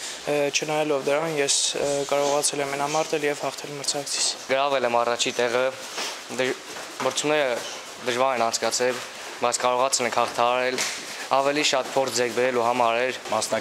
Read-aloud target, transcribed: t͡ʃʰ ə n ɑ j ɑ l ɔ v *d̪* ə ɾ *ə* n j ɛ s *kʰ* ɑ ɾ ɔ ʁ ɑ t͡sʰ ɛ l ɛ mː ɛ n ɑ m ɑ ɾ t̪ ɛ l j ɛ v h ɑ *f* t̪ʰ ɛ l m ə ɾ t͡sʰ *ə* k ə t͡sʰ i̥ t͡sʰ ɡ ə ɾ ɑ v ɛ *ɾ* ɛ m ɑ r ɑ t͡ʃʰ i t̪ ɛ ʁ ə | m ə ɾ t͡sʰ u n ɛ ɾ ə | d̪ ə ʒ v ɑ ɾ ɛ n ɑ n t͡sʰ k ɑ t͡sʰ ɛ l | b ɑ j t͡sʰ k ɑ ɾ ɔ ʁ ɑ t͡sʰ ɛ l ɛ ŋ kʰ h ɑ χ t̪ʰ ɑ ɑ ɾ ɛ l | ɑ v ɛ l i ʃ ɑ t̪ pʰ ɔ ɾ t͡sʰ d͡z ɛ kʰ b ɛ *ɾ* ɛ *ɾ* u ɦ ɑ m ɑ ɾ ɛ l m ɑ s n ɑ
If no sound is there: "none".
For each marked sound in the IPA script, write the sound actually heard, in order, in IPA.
d̪, ɑ, k, χ, ɑ, l, ɾ, l

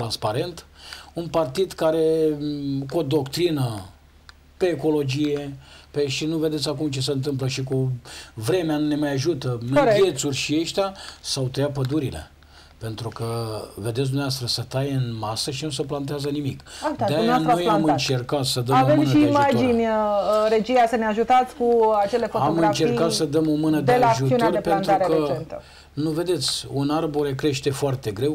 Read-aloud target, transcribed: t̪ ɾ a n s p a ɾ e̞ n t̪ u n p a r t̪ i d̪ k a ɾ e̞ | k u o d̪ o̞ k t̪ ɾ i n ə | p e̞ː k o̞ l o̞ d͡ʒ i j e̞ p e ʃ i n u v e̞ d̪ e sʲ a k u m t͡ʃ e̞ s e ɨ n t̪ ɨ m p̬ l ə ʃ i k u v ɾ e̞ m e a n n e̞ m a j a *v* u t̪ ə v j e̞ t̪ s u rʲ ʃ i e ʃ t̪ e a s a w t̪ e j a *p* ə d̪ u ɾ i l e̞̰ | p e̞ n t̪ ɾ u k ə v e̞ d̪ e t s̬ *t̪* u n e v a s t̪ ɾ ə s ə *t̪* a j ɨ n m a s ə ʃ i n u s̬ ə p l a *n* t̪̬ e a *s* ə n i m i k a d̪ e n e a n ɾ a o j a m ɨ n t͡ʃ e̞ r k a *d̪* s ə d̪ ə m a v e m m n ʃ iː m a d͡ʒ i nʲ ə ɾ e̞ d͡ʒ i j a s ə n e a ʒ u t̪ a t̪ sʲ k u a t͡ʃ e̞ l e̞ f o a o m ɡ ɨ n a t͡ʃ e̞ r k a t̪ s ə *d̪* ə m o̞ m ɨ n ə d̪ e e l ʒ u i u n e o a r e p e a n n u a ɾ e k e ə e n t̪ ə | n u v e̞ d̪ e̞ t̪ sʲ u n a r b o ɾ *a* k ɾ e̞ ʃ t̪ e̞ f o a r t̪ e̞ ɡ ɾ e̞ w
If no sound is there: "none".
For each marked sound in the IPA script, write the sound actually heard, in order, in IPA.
ʒ, p, d̪, t̪, n, z, t̪, d̪, e

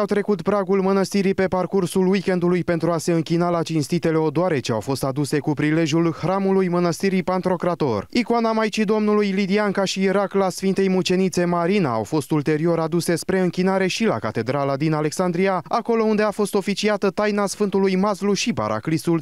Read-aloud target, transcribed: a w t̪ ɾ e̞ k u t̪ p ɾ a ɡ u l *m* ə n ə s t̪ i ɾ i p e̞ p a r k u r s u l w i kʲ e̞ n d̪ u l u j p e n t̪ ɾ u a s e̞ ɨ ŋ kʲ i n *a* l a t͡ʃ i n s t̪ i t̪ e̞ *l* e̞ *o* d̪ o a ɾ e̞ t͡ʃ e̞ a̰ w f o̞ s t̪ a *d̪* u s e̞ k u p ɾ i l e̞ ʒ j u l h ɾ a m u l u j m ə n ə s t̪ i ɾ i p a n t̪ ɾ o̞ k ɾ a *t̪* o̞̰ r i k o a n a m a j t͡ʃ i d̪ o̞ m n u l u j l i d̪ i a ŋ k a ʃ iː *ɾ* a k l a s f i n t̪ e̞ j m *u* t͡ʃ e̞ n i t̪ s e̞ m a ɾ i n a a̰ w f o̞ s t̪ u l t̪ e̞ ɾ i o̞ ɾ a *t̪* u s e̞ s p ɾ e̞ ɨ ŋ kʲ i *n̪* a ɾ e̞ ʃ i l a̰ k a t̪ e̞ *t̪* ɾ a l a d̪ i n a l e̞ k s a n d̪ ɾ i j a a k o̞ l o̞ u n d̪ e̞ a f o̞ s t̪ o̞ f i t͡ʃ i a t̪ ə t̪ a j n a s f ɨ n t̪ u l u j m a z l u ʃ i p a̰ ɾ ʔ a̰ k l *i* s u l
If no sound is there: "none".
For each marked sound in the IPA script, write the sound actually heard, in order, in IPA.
m, a, l, o, d̪, t̪, ɾ, u, d̪, n̪, d̪, i

